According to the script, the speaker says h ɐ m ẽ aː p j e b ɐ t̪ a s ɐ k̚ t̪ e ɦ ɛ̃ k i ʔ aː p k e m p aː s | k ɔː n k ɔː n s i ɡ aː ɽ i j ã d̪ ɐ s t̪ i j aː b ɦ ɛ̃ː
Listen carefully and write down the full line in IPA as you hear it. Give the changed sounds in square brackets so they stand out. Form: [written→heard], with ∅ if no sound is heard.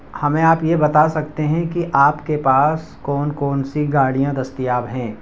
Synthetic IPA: h ɐ m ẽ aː p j e b ɐ t̪ a s ɐ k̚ t̪ e ɦ ɛ̃ k i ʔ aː p k e [m→∅] p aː s | k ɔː n k ɔː n s i ɡ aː ɽ i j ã d̪ ɐ s t̪ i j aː b ɦ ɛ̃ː